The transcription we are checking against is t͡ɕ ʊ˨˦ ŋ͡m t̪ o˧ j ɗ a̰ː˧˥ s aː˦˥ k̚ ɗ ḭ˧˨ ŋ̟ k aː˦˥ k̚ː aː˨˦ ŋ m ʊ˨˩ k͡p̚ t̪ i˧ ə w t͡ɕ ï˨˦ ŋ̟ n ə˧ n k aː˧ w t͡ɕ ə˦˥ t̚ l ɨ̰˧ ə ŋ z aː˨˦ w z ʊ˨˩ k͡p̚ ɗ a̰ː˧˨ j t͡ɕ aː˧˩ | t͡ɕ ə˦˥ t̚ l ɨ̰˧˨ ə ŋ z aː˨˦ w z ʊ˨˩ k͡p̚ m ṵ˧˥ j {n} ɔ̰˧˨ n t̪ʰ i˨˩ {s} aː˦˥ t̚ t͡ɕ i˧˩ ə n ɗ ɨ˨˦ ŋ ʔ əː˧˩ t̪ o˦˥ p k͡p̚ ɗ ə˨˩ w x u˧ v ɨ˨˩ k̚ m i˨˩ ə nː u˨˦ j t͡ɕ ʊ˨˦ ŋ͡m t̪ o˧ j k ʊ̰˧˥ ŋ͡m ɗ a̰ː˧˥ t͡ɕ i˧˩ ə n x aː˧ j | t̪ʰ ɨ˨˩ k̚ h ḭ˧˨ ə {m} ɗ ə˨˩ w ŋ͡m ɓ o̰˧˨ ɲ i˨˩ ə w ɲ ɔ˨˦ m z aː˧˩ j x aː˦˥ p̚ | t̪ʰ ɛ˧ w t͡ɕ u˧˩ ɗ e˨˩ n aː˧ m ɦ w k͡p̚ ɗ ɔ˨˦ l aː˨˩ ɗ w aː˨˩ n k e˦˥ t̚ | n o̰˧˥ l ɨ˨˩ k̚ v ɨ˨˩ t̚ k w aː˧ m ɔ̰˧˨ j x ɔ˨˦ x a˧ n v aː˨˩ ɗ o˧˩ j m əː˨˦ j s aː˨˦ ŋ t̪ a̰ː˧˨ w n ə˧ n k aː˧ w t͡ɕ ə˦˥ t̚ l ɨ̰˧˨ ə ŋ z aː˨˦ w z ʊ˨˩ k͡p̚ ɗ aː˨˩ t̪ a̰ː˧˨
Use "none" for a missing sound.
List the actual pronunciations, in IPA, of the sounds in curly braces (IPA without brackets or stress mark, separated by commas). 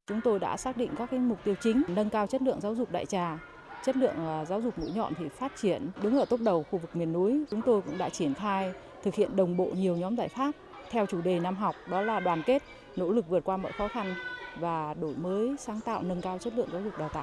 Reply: ɲ, f, n